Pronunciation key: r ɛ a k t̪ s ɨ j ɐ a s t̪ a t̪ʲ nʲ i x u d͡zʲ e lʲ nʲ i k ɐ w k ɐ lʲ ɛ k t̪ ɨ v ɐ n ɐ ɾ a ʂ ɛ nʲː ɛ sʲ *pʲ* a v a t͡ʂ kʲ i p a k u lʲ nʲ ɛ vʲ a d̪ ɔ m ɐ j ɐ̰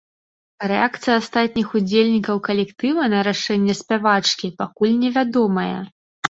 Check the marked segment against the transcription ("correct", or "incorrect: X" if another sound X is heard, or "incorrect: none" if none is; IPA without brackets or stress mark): correct